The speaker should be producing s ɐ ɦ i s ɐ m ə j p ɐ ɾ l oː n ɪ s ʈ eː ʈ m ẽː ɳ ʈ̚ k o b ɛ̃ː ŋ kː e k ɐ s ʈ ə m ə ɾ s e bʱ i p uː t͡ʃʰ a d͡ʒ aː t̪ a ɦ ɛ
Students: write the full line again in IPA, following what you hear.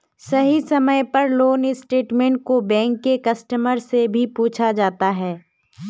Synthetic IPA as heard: s ɐ ɦ i s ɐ m ə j p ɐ ɾ l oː n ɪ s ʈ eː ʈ m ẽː ɳ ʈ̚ k o b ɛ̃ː ŋ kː e k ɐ s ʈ ə m ə ɾ s e bʱ i p uː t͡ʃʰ a d͡ʒ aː t̪ a ɦ ɛː